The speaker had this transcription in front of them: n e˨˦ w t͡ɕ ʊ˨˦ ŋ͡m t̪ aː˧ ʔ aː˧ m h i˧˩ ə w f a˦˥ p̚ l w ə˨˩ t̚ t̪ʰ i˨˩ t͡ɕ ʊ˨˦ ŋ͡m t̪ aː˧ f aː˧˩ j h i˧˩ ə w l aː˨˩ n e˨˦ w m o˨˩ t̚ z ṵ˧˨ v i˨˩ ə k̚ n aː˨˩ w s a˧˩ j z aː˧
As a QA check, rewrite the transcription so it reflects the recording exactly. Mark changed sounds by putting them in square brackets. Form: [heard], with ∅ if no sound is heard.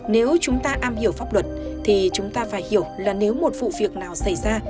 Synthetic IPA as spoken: n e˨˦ w t͡ɕ ʊ˨˦ ŋ͡m t̪ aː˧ ʔ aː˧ m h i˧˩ ə w f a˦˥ p̚ l w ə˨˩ t̚ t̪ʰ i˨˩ t͡ɕ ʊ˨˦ ŋ͡m t̪ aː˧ f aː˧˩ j h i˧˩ ə w l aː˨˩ n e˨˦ w m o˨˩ t̚ [v] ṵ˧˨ v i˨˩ ə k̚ n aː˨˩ w s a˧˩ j z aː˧

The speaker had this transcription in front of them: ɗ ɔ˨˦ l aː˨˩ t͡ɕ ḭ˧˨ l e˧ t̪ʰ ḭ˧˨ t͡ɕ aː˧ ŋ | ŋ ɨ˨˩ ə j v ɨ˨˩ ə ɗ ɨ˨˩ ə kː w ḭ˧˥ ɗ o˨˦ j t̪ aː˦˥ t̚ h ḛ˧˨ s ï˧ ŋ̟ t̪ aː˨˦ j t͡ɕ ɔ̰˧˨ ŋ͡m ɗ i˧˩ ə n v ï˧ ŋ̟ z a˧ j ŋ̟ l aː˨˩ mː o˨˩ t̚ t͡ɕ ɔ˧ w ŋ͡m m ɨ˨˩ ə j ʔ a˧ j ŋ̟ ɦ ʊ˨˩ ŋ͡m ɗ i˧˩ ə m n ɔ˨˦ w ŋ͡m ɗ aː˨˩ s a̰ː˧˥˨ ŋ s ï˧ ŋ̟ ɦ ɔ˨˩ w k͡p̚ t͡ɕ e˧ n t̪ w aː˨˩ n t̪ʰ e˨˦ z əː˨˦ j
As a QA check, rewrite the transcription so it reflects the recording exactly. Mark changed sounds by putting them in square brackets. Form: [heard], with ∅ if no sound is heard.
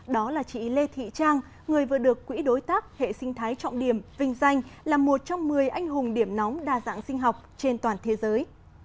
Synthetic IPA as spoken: ɗ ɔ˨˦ l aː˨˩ t͡ɕ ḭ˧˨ l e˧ t̪ʰ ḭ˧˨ t͡ɕ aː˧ ŋ | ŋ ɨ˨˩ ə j v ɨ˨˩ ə ɗ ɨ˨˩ ə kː w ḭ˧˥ ɗ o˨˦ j t̪ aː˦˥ [k̚] h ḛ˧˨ s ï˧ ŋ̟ [t̪ʰ] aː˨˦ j t͡ɕ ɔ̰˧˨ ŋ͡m ɗ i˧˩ ə [m] v ï˧ ŋ̟ z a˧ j ŋ̟ l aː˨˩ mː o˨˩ t̚ t͡ɕ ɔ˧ w ŋ͡m m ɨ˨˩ ə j ʔ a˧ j ŋ̟ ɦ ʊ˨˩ ŋ͡m ɗ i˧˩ ə m n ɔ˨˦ w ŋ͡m ɗ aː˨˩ [z] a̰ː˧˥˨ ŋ s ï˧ ŋ̟ ɦ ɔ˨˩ w k͡p̚ t͡ɕ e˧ n t̪ w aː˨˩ n t̪ʰ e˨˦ z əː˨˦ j

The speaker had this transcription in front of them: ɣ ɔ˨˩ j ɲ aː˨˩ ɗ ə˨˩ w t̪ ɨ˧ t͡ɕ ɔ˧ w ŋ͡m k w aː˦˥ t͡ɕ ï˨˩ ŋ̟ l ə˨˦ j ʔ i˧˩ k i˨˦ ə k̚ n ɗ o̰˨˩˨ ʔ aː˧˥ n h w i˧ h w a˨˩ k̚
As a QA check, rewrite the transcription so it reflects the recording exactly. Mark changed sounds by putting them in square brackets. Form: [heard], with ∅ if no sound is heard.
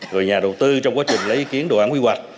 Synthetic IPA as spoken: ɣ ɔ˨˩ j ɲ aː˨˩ ɗ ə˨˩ w t̪ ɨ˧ t͡ɕ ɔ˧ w ŋ͡m k w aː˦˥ t͡ɕ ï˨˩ ŋ̟ l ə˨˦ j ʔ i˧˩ k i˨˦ ə [∅] n ɗ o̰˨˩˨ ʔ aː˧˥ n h w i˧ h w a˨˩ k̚

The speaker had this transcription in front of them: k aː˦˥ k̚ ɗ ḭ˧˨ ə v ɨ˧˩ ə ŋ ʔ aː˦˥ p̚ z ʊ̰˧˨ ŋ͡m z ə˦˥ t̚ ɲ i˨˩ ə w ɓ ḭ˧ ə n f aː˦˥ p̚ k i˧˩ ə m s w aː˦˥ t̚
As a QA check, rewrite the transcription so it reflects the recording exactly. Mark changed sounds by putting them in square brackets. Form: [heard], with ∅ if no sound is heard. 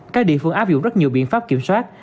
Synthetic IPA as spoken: k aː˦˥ k̚ ɗ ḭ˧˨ ə [f] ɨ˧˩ ə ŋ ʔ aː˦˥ p̚ z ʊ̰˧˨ ŋ͡m z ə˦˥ t̚ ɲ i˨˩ ə w ɓ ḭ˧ ə n f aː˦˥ p̚ k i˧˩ ə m s w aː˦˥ t̚

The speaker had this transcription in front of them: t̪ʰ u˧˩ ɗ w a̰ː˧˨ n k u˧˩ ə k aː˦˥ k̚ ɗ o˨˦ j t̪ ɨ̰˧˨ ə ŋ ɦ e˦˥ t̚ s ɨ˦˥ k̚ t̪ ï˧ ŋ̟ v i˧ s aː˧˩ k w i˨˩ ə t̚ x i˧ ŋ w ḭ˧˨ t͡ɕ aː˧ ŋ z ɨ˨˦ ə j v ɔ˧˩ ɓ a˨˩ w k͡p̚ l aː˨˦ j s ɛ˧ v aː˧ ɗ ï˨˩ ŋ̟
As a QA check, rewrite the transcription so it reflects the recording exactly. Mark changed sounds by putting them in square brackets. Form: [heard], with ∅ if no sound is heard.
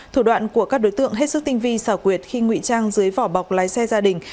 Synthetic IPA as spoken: t̪ʰ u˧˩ ɗ w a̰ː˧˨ n k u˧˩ ə k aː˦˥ k̚ ɗ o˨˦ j t̪ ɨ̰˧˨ ə ŋ ɦ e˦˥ t̚ s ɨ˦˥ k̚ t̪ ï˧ ŋ̟ v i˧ s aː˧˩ k w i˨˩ ə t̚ x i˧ ŋ w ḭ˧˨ t͡ɕ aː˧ ŋ z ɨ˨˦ ə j v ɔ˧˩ ɓ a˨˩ w k͡p̚ l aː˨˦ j s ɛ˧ [z] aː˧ ɗ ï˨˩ ŋ̟

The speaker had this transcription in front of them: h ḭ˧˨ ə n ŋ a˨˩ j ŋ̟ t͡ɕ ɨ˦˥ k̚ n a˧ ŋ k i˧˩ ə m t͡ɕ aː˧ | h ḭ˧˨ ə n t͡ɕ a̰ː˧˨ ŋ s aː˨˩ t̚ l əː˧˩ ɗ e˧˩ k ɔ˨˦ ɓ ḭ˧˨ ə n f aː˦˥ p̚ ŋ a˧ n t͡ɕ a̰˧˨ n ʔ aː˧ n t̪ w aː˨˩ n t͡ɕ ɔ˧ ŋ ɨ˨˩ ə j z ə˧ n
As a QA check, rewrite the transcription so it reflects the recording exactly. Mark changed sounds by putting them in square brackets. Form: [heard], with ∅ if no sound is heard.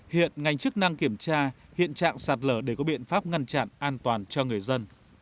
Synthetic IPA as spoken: h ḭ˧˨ ə n ŋ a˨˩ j ŋ̟ t͡ɕ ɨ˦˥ k̚ n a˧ ŋ k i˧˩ ə m t͡ɕ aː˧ | h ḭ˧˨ ə n t͡ɕ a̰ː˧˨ ŋ s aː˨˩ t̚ l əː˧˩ ɗ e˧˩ k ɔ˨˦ ɓ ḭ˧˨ ə n f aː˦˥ p̚ ŋ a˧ n t͡ɕ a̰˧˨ n ʔ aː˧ n t̪ w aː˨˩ n t͡ɕ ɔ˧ ŋ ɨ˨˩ ə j z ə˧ n

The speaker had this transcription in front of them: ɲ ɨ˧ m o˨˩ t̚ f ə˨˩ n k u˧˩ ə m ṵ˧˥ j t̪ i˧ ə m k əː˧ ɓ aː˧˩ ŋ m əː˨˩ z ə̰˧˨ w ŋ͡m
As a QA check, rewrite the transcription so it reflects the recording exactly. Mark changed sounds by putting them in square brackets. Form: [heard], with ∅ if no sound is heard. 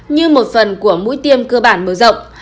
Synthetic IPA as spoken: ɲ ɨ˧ m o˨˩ t̚ f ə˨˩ n k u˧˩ ə m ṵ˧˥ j t̪ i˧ ə m k əː˧ ɓ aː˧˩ [n] m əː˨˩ z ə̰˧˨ w ŋ͡m

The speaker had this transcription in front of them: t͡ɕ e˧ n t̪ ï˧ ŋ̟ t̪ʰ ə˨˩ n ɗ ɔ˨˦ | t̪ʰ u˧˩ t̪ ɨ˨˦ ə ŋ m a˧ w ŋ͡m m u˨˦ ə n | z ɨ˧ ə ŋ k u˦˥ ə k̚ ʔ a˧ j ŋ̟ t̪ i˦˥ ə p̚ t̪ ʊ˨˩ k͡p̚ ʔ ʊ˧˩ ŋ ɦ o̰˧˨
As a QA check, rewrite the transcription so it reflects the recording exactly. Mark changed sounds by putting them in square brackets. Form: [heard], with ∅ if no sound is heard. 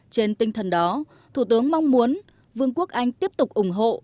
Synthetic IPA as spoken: t͡ɕ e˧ n t̪ ï˧ ŋ̟ t̪ʰ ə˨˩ n ɗ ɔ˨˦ | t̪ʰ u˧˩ t̪ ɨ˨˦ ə ŋ m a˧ w ŋ͡m m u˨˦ ə n | [v] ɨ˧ ə ŋ k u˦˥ ə k̚ ʔ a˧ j ŋ̟ t̪ i˦˥ ə p̚ t̪ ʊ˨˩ k͡p̚ ʔ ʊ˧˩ [ŋ͡m] ɦ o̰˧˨

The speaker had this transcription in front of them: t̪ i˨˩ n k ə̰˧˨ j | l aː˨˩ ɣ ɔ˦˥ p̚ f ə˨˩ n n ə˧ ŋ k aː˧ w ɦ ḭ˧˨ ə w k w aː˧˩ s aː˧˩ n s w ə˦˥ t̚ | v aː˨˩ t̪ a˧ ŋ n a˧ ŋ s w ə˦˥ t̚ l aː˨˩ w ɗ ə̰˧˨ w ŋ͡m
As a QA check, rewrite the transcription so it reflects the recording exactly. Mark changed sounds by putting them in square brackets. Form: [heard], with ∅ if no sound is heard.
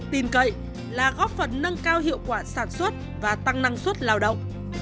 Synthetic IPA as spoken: t̪ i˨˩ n k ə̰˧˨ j | l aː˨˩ ɣ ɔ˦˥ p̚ f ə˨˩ n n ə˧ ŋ k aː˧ w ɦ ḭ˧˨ ə w k w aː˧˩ s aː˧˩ n s w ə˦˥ t̚ | v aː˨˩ t̪ a˧ ŋ n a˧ ŋ s w ə˦˥ t̚ l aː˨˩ w ɗ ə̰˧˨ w ŋ͡m

